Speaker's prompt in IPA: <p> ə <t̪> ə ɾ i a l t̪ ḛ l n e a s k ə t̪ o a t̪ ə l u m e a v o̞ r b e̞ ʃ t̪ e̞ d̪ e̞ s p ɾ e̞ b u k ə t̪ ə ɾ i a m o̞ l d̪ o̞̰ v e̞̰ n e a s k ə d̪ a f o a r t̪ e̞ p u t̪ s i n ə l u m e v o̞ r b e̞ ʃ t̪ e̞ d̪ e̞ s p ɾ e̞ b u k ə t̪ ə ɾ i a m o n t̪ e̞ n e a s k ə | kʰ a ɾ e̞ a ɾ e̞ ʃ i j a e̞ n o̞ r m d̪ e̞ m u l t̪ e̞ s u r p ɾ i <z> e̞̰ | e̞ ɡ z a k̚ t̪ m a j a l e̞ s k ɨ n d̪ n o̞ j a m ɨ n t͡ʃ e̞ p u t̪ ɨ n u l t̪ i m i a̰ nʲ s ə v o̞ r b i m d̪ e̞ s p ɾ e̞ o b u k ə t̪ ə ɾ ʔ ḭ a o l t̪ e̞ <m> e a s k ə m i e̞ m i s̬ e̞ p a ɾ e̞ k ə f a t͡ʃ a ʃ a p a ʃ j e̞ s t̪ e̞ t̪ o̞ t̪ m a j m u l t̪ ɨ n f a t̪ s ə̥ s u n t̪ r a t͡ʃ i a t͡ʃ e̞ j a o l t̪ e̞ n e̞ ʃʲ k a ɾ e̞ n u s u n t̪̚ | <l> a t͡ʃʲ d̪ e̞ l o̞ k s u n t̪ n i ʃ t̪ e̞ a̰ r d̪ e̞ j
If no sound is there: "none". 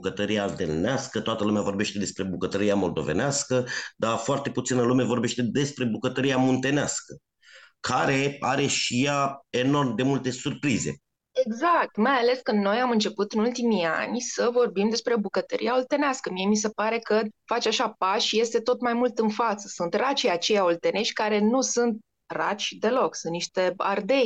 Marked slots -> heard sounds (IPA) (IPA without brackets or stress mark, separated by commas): k, t̪, z, n, r